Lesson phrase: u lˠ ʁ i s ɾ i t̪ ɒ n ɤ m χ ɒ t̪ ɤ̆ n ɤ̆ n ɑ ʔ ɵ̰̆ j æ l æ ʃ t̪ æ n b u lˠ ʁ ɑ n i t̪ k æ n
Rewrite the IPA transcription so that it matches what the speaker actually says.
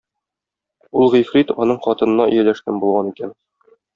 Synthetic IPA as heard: u lˠ ʁ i f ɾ i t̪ ɒ n ɤ ɴ χ ɒ t̪ ɤ̆ n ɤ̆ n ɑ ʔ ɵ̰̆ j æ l æ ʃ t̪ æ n b u lˠ ʁ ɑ n i k æ n